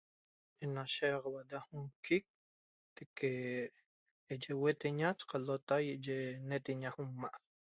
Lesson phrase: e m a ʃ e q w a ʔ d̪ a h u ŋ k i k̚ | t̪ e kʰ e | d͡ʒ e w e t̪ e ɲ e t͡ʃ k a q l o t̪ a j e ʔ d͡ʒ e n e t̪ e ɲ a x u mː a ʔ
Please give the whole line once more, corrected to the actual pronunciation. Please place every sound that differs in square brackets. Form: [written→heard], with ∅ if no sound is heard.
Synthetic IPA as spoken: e [m→n] a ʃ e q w a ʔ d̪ a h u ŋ k i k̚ | t̪ e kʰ e | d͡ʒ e w e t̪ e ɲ [e→a] t͡ʃ [k→q] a [q→∅] l o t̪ a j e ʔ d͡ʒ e n e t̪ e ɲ a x u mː a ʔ